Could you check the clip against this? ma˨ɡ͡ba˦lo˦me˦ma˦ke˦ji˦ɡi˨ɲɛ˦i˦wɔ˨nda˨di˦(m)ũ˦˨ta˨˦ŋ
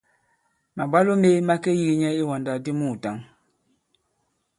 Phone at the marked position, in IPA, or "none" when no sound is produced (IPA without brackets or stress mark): m